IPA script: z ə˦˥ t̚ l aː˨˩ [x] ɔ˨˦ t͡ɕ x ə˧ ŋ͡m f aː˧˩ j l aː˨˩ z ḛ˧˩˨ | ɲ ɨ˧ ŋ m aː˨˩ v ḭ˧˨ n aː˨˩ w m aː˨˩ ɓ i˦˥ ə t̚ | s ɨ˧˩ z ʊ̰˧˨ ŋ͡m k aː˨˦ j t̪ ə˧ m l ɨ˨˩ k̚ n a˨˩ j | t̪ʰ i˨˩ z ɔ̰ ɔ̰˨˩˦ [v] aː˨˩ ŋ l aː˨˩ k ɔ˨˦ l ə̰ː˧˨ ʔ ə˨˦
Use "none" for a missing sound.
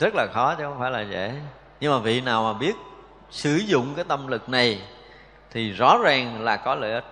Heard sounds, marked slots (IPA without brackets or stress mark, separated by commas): x, z